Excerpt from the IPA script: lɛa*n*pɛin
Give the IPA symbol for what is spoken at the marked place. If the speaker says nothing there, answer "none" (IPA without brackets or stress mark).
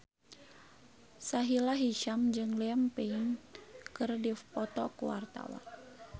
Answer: m